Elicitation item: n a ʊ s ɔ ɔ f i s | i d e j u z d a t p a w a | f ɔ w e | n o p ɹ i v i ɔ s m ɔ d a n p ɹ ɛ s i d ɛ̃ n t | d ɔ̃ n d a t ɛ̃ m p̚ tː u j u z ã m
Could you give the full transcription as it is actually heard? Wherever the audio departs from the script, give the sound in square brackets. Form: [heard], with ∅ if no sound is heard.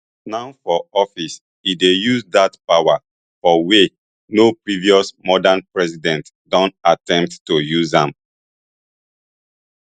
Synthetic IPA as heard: n a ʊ [f] ɔ ɔ f i s | i d e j u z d a t p a w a | f ɔ w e | n o p ɹ i v i ɔ s m ɔ d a n p ɹ ɛ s i d ɛ̃ n t | d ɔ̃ n [t] a t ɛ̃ m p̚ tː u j u z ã m